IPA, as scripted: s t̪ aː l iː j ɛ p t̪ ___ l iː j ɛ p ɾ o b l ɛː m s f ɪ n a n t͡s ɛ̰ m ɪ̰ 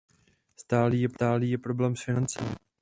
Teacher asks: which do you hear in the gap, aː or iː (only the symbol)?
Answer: aː